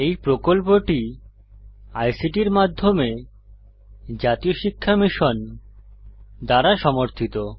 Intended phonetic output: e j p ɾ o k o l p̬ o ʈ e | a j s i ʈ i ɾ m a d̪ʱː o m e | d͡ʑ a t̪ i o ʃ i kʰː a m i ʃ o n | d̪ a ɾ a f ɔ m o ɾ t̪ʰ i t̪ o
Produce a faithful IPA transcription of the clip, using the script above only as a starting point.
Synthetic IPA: e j p ɾ o k o l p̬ o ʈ i | a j s i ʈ i ɾ m a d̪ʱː o m e | d͡ʑ a t̪ i o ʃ i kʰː a m i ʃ o n | d̪ a ɾ a ʃ ɔ m o ɾ t̪ʰ i t̪ o